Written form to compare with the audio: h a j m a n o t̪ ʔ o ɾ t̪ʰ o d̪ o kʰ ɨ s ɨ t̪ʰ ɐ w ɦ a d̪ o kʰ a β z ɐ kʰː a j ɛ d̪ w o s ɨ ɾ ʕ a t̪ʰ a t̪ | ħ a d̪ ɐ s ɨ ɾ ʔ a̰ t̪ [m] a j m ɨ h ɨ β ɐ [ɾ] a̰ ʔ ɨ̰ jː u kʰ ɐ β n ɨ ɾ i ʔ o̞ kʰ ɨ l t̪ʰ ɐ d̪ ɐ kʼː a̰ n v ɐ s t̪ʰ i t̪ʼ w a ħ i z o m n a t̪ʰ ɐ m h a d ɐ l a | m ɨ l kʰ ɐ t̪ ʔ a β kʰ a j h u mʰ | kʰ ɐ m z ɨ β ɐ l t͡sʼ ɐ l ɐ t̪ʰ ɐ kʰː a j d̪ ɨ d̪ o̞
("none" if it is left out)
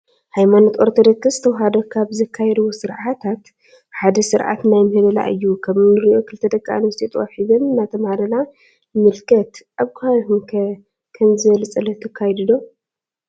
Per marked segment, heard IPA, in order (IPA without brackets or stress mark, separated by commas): n, l